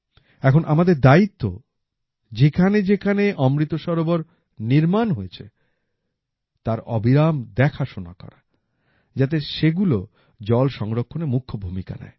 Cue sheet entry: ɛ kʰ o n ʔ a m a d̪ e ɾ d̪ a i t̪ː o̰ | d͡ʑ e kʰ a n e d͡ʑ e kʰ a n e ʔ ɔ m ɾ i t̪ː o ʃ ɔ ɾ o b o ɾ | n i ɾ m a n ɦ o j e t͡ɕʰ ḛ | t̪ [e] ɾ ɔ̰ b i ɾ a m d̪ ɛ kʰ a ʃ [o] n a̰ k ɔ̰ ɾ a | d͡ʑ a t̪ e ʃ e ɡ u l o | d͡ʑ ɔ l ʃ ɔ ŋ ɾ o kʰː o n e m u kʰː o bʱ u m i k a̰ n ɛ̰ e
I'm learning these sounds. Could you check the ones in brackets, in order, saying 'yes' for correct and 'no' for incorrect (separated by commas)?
no, yes